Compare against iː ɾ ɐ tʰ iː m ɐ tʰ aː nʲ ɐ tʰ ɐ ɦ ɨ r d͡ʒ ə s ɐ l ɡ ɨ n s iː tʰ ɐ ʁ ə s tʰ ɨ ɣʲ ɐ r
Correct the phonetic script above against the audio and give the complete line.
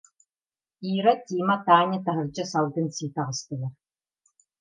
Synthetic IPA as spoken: iː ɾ ɐ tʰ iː m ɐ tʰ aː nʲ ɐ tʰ ɐ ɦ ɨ r d͡ʒ ɐ s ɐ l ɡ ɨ n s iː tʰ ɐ ʁ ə s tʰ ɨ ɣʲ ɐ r